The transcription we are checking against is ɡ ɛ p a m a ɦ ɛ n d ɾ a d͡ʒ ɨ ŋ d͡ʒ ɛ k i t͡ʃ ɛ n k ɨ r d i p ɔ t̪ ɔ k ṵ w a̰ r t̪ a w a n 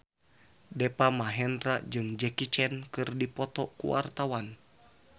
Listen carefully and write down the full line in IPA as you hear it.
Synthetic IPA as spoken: d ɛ p a m a ɦ ɛ n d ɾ a d͡ʒ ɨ ŋ d͡ʒ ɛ k i t͡ʃ ɛ n k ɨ r d i p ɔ t̪ ɔ k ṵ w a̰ r t̪ a w a n